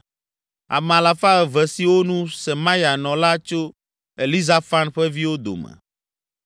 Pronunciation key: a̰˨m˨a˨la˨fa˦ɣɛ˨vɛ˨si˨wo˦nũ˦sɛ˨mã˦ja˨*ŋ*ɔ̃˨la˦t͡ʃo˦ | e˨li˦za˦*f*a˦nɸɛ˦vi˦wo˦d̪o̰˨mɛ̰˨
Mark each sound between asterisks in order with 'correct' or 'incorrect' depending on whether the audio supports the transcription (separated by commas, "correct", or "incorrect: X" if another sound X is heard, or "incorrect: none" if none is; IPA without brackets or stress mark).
incorrect: n, correct